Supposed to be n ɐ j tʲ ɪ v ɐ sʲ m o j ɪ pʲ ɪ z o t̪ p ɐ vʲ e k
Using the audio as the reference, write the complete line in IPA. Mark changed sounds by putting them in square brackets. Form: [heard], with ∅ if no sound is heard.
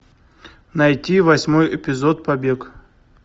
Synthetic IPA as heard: n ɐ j tʲ [i] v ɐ sʲ m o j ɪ pʲ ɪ z o t̪ p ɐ [bʲ] e k

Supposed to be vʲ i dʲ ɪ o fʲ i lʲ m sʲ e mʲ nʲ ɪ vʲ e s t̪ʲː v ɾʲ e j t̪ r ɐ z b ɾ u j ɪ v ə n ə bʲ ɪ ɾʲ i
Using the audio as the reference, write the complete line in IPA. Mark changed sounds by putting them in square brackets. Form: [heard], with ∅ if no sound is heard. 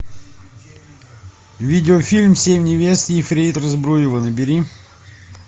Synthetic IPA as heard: vʲ i dʲ ɪ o fʲ i lʲ m sʲ e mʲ nʲ ɪ vʲ e s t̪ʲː [f] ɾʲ e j t̪ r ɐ z b ɾ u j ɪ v ə n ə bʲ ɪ ɾʲ i

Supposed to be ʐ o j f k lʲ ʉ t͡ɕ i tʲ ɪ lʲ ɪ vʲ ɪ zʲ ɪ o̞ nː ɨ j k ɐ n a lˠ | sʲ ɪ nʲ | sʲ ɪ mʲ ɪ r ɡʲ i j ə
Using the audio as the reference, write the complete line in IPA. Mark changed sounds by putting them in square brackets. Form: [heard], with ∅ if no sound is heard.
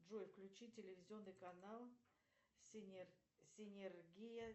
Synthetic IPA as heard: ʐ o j f k lʲ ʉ t͡ɕ i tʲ ɪ lʲ ɪ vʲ ɪ zʲ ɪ o̞ nː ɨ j k ɐ n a lˠ | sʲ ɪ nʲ | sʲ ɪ [nʲ] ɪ r ɡʲ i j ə

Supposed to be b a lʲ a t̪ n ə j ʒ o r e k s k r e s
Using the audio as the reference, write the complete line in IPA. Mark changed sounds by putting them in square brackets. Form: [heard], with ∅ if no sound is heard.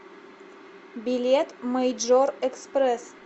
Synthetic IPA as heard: b [i] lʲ [e] t̪ [m] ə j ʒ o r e k s [p] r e s

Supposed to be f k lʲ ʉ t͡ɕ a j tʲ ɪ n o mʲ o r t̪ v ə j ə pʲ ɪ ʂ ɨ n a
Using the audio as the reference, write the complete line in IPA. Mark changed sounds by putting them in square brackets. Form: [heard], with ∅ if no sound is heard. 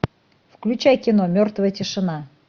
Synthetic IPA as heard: f k lʲ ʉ t͡ɕ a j [kʲ] ɪ n o mʲ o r t̪ v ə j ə [tʲ] ɪ ʂ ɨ n a

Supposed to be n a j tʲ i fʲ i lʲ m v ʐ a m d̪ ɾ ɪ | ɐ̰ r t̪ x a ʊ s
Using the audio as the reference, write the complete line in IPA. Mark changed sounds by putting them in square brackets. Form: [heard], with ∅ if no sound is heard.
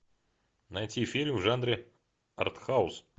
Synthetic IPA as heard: n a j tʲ i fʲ i lʲ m v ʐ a [n] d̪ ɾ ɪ | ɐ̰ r t̪ x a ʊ s

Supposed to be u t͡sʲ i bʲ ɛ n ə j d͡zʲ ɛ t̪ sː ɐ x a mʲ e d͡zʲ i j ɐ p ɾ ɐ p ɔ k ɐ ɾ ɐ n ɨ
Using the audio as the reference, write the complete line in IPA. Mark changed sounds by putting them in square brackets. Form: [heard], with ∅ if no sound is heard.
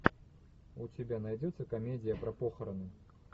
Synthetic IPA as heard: u t͡sʲ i bʲ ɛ n [a] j d͡zʲ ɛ t̪ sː ɐ [k] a mʲ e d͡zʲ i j ɐ p ɾ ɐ p ɔ [x] ɐ ɾ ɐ n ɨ

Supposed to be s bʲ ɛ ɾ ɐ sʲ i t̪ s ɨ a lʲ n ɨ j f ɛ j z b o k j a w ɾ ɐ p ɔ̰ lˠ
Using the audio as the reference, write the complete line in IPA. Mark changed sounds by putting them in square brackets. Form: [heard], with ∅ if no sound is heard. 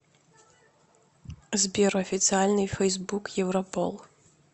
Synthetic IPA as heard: [z] bʲ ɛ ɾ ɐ [fʲ] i t̪ s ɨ a lʲ n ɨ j f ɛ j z b [u] k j [ɛ] w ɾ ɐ p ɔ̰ lˠ

